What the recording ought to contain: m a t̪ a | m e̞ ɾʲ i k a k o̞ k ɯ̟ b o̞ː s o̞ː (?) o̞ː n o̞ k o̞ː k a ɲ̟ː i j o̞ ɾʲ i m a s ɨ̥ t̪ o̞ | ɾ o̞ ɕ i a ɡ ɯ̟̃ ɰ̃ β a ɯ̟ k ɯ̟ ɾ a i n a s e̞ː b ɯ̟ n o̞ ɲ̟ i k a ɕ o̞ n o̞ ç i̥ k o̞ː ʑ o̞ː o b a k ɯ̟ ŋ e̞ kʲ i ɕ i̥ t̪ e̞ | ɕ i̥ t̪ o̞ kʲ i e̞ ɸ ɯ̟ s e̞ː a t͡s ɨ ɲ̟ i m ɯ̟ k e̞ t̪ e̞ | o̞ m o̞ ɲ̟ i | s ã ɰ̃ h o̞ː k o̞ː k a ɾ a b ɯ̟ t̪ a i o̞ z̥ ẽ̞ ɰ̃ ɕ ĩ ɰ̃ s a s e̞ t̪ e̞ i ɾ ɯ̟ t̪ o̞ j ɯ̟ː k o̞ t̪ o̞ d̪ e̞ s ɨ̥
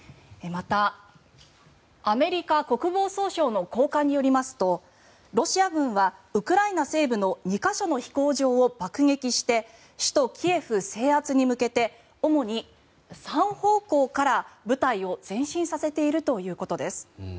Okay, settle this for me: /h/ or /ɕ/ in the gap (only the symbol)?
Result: ɕ